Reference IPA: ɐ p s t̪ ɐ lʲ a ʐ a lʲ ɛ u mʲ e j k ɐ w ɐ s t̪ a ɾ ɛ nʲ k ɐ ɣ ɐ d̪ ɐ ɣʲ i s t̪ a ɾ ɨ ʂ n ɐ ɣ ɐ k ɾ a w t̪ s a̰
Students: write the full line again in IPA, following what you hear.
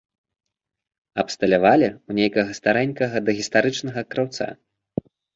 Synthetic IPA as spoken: ɐ p s t̪ ɐ lʲ a v a lʲ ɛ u nʲ e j k ɐ ɣ ɐ s t̪ a ɾ ɛ nʲ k ɐ ɣ ɐ d̪ ɐ ɣʲ i s t̪ a ɾ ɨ t͡ʂ n ɐ ɣ ɐ k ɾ a w t̪ s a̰